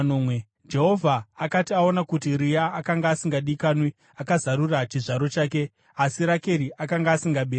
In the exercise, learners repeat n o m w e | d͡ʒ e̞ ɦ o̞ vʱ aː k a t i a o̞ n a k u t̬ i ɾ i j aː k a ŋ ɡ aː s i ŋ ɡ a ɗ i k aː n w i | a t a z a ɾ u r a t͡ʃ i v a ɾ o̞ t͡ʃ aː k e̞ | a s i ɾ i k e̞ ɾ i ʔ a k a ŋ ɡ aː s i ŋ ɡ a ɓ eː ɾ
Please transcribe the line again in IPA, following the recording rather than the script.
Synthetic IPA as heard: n o m w e | d͡ʒ e̞ ɦ o̞ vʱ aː k a t i a o̞ n a k u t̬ i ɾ i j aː k a ŋ ɡ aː s i ŋ ɡ a ɗ i k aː n w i | a k a z a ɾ u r a t͡ʃ i ʐ a ɾ o̞ t͡ʃ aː k e̞ | a s i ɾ a k e̞ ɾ i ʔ a k a ŋ ɡ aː s i ŋ ɡ a ɓ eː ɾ

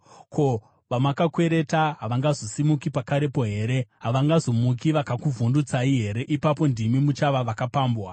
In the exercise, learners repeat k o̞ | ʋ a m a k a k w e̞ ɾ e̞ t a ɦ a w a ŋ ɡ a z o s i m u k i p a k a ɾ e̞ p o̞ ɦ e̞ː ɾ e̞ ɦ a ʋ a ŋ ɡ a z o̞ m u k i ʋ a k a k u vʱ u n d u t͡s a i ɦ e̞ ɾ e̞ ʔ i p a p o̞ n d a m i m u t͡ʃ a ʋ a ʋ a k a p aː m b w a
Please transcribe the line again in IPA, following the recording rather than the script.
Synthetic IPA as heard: k o̞ | ʋ a m a k a k w e̞ ɾ e̞ t a ɦ a ʋ a ŋ ɡ a z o s i m u k i p a k a ɾ e̞ p o̞ ɦ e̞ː ɾ e̞ ɦ a ʋ a ŋ ɡ a z o̞ m u k i ʋ a k a k u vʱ u n d u t͡s a i ɦ e̞ ɾ e̞ ʔ i p a p o̞ n d i m i m u t͡ʃ a ʋ a ʋ a k a p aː m b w a

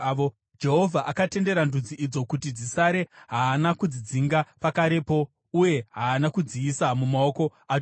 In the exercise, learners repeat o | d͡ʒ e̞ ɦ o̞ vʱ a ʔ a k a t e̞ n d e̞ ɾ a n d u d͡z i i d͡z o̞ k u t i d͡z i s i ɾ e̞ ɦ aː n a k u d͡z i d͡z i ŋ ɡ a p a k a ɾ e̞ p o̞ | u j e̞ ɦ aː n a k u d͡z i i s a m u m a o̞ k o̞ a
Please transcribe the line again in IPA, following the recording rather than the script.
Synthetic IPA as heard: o | d͡ʒ e̞ ɦ o̞ vʱ a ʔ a k a t e̞ n d e̞ ɾ a n d u d͡z i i d͡z o̞ k u t i d͡z i s a ɾ e̞ ɦ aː n a k u d͡z i d͡z i ŋ ɡ a p a k a ɾ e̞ p o̞ | u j e̞ ɦ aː n a k u d͡z i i s a m u m a o̞ k o̞ a

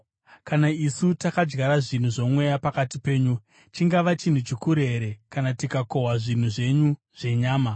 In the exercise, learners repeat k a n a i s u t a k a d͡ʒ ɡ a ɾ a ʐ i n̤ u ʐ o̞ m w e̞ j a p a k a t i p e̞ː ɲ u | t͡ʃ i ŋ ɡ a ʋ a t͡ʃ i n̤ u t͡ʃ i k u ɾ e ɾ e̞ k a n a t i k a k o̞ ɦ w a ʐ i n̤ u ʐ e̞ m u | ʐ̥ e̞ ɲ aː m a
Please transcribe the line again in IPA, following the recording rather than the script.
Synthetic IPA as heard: k a n a i s u t a k a d͡ʒ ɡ a ɾ a ʐ i n̤ u ʐ o̞ m w e̞ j a p a k a t i p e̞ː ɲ u | t͡ʃ i ŋ ɡ a ʋ a t͡ʃ i n̤ u t͡ʃ i k u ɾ e ɾ e̞ k a n a t i k a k o̞ ɦ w a ʐ i n̤ u ʐ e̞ ɲ u | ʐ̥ e̞ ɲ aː m a

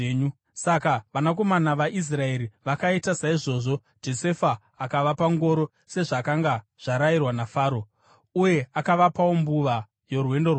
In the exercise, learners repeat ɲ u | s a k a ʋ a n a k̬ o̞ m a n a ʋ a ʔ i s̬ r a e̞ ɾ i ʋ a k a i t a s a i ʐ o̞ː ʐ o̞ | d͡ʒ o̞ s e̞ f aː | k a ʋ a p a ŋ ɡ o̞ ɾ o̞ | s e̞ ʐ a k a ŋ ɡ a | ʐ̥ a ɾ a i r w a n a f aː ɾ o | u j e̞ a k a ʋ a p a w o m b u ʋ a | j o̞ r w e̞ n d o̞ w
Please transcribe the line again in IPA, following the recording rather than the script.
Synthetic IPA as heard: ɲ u | s a k a ʋ a n a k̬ o̞ m a n a ʋ a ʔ i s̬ r a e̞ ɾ i ʋ a k a i t a s a i ʐ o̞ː ʐ o̞ | d͡ʒ o̞ s e̞ f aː | k a ʋ a p a ŋ ɡ o̞ ɾ o̞ | s e̞ ʐ a k a ŋ ɡ a | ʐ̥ a ɾ a i r w a n a f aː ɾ o | u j e̞ a k a ʋ a p a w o m b u ʋ a | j o̞ r w e̞ n d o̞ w

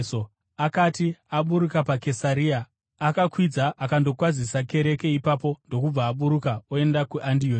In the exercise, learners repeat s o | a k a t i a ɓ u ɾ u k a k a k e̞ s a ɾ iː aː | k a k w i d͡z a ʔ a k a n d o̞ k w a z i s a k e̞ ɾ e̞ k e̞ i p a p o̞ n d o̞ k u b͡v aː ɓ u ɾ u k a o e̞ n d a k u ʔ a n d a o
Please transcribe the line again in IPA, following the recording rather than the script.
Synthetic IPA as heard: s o | a k a t i a ɓ u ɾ u k a p a k e̞ s a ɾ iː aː | k a k w i d͡z a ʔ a k a n d o̞ k w a z i s a k e̞ ɾ e̞ k e̞ i p a p o̞ n d o̞ k u b͡v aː ɓ u ɾ u k a o e̞ n d a k u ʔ a n d i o

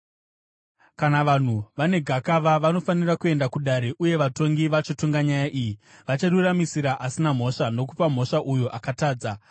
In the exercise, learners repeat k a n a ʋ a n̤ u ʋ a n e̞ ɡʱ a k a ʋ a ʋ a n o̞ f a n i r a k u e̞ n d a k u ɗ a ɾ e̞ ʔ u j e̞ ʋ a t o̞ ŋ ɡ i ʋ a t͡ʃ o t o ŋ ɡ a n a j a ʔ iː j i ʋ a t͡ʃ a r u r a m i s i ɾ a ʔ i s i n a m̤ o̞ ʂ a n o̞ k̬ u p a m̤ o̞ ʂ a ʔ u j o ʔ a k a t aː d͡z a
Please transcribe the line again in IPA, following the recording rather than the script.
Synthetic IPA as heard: k a n a ʋ a n̤ u ʋ a n e̞ ɡʱ a k a ʋ a ʋ a n o̞ f a n i r a k u e̞ n d a k u ɗ a ɾ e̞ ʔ u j e̞ ʋ a t o̞ ŋ ɡ i ʋ a t͡ʃ o t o ŋ ɡ a ɲ a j a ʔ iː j i ʋ a t͡ʃ a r u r a m i s i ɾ a ʔ a s i n a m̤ o̞ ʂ a n o̞ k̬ u p a m̤ o̞ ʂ a ʔ u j o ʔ a k a t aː d͡z a

